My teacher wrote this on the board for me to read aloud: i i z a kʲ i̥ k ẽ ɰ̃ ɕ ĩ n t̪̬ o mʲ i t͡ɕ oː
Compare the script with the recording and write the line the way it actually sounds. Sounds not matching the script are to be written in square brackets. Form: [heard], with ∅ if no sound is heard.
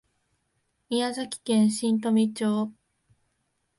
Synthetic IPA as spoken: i [a] z a kʲ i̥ k ẽ ɰ̃ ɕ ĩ n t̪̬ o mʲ i t͡ɕ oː

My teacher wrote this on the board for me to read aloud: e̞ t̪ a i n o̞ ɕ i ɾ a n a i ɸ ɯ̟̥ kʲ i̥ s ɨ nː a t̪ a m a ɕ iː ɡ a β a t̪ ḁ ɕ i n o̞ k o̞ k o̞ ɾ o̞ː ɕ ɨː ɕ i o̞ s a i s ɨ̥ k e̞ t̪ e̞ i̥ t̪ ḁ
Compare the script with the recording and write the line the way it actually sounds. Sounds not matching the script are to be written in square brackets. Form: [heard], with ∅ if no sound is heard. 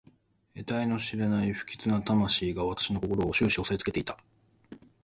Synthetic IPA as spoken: e̞ t̪ a i n o̞ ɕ i ɾ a n a i ɸ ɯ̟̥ kʲ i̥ [t͡s] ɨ [n] a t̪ a m a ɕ iː ɡ a β a t̪ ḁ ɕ i n o̞ k o̞ k o̞ ɾ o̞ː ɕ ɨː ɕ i o̞ s a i [t͡s] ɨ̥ k e̞ t̪ e̞ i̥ t̪ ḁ

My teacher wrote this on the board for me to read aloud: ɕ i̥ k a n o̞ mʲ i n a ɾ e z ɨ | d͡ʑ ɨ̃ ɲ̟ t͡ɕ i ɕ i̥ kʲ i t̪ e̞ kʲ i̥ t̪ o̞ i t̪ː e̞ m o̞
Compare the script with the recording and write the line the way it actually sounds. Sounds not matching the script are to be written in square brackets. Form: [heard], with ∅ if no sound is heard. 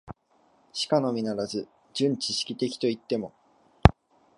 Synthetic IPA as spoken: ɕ i̥ k a n o̞ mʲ i n a ɾ [a] z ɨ | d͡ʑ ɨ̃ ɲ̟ t͡ɕ i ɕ i̥ kʲ i t̪ e̞ kʲ i̥ t̪ o̞ i t̪ː e̞ m o̞

